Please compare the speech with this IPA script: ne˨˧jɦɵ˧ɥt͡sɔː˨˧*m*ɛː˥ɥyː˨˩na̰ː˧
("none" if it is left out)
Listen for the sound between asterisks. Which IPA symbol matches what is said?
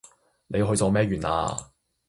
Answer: m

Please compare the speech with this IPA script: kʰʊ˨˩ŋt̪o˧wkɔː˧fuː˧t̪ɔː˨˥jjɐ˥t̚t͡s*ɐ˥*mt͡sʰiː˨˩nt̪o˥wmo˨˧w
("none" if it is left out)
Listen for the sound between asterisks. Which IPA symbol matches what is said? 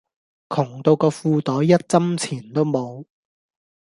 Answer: ɐ˥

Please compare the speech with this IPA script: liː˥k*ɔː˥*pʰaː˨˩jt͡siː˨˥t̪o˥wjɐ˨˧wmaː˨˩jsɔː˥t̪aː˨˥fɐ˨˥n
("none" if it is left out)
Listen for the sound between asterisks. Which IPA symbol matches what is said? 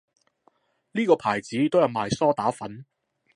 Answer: ɔː˧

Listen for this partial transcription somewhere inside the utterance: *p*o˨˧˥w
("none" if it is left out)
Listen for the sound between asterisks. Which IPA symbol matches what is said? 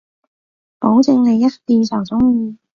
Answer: p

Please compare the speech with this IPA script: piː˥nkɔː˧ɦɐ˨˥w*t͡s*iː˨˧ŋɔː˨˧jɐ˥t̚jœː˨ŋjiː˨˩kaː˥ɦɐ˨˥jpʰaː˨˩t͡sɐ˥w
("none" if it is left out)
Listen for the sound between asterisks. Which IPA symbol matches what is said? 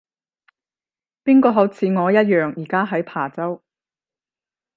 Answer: t͡sʰ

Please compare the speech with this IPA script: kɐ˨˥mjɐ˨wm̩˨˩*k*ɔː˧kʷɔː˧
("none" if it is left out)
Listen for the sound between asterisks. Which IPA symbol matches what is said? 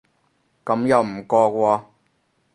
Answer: k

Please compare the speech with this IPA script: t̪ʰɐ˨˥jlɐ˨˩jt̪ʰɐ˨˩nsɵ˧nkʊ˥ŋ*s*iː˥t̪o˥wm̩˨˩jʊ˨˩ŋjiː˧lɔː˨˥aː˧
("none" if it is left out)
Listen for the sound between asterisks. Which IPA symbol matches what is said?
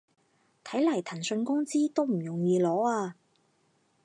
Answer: t͡s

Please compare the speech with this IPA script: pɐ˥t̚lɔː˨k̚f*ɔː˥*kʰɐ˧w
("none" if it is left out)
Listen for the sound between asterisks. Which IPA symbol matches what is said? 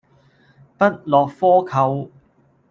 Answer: ɔː˥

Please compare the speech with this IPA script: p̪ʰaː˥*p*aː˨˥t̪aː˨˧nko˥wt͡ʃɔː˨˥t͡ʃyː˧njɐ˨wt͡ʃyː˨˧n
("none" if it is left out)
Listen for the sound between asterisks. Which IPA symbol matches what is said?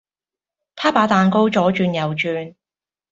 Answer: p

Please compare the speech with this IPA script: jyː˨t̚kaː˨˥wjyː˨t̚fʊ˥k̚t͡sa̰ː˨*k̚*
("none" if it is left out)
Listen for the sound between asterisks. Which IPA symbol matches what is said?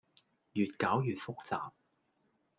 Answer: p̚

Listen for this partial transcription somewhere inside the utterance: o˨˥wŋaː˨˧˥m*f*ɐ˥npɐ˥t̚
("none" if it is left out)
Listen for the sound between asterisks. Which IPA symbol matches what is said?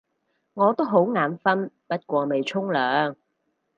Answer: f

